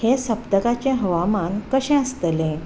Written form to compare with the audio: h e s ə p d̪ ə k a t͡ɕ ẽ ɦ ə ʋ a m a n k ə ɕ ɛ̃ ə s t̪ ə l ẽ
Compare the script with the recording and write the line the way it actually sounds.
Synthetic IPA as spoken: h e s ə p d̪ ə k a t͡ɕ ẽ ɦ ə ʋ a m a n k ə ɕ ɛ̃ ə s t̪ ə l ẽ